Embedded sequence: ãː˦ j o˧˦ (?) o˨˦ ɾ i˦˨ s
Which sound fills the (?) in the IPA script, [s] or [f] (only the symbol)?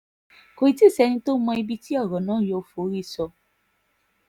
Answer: f